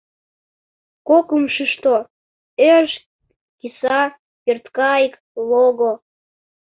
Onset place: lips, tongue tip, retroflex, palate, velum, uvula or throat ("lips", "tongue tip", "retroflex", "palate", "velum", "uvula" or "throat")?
velum